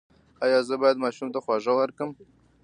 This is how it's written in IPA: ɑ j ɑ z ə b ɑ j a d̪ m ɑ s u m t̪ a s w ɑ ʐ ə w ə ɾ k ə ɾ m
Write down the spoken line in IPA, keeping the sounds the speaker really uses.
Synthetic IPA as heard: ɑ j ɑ z ə b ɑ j a d̪ m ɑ ʃ u m t̪ a x w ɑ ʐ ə w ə ɾ k ə m